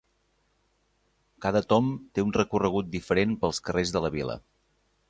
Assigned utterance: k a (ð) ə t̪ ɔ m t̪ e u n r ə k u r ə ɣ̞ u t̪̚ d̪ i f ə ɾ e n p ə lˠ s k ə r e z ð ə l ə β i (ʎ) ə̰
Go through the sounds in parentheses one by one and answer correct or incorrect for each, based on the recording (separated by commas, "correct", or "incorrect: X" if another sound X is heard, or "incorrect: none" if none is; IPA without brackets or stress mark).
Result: correct, incorrect: l